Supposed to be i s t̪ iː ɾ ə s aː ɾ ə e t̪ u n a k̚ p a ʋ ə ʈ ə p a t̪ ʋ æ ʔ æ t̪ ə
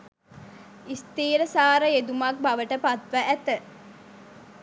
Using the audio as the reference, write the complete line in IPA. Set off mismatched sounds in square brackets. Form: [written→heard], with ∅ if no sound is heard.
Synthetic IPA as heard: i s t̪ iː ɾ ə s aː ɾ ə e [t̪→d̪] u [n→m] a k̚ [p→b] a ʋ ə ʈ ə p a t̪ ʋ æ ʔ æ t̪ ə